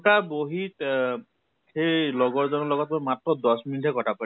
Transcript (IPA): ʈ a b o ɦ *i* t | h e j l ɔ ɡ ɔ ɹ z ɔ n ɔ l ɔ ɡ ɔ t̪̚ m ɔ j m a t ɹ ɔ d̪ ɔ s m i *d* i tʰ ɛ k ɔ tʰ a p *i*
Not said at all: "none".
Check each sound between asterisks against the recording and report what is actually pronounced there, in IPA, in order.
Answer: i, n, a

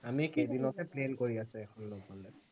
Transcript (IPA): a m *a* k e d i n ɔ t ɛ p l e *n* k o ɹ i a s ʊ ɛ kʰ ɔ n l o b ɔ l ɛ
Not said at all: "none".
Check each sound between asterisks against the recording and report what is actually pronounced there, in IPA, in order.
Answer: i, n

